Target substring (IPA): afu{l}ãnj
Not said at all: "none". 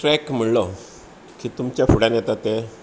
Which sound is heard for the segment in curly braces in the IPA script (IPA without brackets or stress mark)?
ɽ